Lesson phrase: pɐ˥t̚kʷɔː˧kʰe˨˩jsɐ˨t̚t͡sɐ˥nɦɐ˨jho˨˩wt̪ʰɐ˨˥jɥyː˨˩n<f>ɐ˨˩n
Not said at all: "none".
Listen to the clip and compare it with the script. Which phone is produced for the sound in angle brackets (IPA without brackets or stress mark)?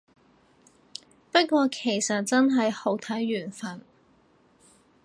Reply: f